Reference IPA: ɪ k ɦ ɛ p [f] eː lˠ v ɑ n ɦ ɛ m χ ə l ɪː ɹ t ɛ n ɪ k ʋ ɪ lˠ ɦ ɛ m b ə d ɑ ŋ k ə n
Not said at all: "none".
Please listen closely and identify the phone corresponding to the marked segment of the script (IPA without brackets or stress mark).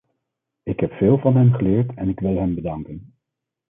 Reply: f